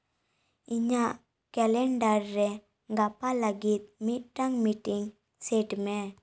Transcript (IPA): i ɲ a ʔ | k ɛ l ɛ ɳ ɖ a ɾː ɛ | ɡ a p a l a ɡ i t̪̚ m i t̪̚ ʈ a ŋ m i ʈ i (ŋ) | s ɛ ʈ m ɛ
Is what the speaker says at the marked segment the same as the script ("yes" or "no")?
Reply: yes